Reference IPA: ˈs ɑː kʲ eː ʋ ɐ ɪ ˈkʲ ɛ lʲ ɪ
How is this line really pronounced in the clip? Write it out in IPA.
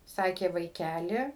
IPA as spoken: ˈs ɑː kʲ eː ʋ ɐ ɪ ˈkʲ æ lʲ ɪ

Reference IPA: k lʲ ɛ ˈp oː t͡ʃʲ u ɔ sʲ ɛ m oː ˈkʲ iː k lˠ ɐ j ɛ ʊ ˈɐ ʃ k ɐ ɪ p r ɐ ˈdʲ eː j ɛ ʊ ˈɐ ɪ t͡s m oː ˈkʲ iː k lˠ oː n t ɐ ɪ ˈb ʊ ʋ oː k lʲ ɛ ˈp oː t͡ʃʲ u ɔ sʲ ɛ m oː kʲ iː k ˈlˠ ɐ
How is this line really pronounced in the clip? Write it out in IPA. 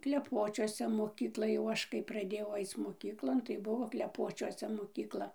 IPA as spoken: k lʲ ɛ ˈp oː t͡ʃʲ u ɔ sʲ ɛ m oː ˈkʲ iː k lˠ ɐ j ɛ ʊ ˈɐ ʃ k ɐ ɪ p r ɐ ˈdʲ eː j ɛ ʊ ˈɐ ɪ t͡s m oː ˈkʲ iː k lˠ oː n t ɐ ɪ ˈb ʊ ʋ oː k lʲ ɛ ˈp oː t͡ʃʲ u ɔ sʲ ɛ m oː kʲ iː k ˈlˠ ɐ

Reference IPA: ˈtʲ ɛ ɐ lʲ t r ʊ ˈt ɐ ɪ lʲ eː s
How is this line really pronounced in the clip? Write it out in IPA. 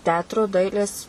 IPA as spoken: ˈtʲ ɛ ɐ t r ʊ ˈd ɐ ɪ lʲ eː s

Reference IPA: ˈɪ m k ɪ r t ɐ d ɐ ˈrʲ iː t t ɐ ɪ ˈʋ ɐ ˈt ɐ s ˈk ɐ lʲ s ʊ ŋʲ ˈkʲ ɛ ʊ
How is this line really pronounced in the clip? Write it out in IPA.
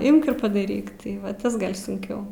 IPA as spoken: ˈɪ m k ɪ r p ɐ d ɐ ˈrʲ iː k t ɐ ɪ ˈʋ ɐ ˈt ɐ s ˈɡ ɐ lʲ s ʊ ŋʲ ˈkʲ ɛ ʊ

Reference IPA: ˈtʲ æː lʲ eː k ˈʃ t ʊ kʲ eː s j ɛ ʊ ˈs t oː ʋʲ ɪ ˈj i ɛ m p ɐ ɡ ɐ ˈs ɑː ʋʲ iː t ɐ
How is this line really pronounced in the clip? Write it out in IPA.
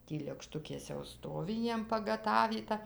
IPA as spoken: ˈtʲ iː lʲ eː k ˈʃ t ʊ kʲ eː s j ɛ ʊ ˈs t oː ʋʲ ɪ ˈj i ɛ m p ɐ ɡ ɐ ˈt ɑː ʋʲ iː t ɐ

